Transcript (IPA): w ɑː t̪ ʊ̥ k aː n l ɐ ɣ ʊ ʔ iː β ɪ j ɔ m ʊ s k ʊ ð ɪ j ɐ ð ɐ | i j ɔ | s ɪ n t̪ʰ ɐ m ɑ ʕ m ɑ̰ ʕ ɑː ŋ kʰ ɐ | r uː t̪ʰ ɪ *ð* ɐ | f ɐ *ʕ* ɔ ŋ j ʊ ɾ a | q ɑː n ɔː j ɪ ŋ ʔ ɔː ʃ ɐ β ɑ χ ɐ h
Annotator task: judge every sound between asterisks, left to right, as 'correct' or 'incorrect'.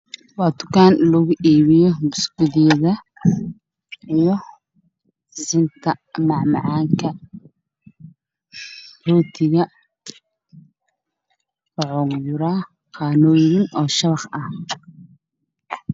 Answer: incorrect: ɣ, correct

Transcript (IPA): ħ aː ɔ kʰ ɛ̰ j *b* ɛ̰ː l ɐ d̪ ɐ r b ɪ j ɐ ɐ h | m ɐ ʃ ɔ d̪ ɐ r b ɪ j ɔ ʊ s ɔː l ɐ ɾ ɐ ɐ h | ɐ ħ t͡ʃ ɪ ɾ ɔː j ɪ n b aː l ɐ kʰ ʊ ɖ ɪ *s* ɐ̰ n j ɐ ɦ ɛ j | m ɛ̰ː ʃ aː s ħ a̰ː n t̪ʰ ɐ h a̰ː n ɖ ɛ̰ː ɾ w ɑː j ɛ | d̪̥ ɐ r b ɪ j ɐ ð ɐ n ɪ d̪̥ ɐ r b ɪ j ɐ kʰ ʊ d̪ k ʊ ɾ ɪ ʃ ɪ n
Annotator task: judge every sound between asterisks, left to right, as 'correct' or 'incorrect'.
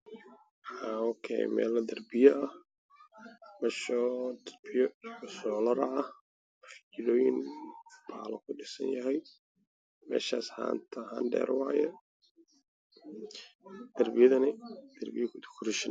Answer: incorrect: m, correct

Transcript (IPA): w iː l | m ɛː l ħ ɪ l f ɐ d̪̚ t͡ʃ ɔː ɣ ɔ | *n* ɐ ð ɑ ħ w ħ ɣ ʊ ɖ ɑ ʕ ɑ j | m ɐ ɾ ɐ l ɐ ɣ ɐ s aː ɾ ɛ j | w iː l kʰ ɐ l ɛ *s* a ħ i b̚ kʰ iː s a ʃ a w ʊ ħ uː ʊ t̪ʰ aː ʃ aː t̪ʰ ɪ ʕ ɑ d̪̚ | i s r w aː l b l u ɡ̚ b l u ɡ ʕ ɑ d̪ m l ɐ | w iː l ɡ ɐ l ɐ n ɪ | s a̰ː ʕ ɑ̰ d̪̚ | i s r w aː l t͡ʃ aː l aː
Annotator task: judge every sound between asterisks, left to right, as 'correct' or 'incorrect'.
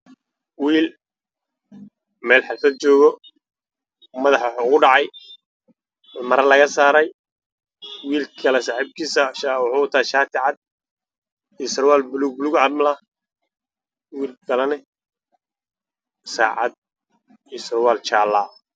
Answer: incorrect: m, correct

